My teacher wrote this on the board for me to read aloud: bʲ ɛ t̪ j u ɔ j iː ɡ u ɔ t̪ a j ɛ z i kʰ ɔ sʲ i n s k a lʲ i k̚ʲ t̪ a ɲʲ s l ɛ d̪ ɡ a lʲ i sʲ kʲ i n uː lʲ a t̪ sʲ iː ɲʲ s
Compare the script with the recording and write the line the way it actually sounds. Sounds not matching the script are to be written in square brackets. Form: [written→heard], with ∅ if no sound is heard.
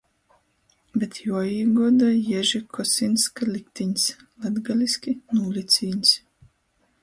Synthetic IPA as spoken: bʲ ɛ t̪ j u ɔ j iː ɡ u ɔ [t̪→d̪] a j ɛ [z→ʒ] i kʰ ɔ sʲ i n s k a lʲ i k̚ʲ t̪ [a→i] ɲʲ s l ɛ d̪ ɡ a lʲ i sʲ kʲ i n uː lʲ [a→i] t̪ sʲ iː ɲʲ s